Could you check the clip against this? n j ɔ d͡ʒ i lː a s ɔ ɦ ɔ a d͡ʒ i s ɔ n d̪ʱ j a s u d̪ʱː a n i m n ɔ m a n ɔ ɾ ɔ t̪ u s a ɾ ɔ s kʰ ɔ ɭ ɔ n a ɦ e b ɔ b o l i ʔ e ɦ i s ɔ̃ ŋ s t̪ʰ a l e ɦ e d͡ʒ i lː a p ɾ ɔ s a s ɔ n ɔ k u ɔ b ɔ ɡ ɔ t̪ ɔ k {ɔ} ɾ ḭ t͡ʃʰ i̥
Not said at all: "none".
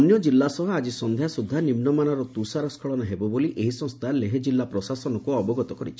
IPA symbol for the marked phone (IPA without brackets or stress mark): ɔ